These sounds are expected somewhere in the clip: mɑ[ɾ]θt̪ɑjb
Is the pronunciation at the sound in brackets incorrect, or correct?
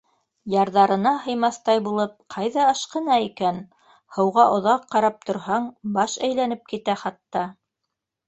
incorrect: none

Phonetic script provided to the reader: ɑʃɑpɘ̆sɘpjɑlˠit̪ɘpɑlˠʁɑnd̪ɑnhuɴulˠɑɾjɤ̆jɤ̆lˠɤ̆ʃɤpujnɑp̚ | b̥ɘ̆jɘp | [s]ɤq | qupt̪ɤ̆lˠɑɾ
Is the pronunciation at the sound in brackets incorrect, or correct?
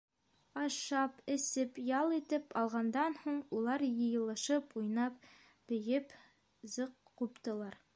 incorrect: z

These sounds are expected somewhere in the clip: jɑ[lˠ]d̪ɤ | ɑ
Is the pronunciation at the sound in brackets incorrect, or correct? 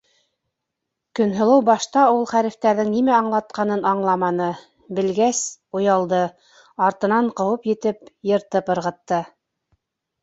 correct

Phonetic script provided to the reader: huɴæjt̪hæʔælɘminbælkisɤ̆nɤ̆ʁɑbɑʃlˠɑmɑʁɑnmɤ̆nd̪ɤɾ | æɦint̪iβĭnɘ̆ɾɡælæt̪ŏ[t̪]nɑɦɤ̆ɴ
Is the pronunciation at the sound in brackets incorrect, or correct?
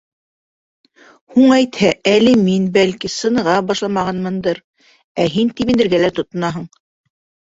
correct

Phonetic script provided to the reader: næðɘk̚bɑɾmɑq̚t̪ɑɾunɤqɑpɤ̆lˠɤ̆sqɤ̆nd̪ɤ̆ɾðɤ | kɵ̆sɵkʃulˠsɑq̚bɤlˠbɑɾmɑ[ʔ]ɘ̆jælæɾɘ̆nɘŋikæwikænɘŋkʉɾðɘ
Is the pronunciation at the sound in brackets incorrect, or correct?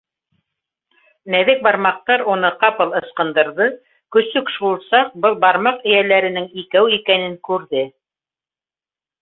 incorrect: q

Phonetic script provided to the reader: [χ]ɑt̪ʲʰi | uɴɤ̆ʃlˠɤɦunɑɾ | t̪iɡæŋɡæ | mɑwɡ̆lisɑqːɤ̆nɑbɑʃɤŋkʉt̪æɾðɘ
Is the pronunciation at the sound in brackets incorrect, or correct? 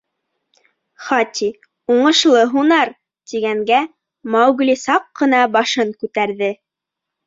correct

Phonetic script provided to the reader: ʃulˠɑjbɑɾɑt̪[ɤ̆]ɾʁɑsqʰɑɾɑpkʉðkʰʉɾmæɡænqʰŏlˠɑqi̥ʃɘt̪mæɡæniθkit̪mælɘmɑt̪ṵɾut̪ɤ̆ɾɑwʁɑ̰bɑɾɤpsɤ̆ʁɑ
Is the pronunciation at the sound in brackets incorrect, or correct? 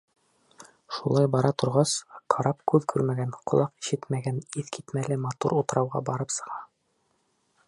incorrect: ŏ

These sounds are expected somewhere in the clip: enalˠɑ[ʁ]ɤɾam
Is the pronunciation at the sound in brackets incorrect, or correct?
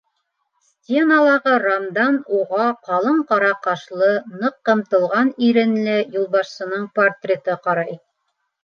correct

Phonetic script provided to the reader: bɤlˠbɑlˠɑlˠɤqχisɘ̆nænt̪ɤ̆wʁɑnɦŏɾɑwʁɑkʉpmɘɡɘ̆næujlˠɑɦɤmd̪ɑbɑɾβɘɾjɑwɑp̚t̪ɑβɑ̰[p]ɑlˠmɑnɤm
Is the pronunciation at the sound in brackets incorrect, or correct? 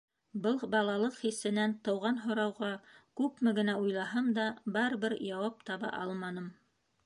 incorrect: ʔ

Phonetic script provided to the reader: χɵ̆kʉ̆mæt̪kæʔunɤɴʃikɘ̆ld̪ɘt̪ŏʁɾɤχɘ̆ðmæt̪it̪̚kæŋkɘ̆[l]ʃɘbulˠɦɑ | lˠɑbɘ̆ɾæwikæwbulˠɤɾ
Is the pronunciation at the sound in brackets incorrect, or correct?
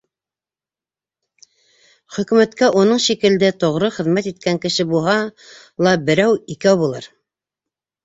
incorrect: none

